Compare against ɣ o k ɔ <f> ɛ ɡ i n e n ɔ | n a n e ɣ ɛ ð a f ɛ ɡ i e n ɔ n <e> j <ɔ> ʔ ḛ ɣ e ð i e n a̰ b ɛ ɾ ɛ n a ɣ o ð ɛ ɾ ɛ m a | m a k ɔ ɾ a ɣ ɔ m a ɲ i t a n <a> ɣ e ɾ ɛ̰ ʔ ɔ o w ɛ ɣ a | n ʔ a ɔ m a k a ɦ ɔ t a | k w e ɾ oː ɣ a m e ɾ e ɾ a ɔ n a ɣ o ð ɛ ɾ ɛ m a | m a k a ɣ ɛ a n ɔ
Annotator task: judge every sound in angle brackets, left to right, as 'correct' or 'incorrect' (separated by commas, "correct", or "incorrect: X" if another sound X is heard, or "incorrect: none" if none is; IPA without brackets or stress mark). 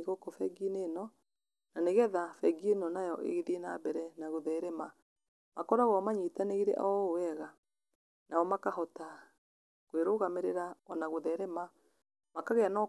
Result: correct, incorrect: a, correct, incorrect: e